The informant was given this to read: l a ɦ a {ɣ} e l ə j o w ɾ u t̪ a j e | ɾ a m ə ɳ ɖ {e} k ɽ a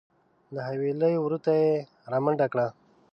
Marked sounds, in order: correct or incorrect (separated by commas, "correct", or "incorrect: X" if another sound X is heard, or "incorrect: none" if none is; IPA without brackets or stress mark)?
incorrect: w, incorrect: a